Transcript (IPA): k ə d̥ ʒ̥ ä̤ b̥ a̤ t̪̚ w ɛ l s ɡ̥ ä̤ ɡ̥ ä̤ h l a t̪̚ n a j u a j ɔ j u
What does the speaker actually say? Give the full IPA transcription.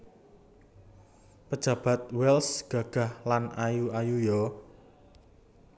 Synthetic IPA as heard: p ə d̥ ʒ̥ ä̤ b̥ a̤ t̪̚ w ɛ l s ɡ̥ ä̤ ɡ̥ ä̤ h l a n a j u a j u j ɔ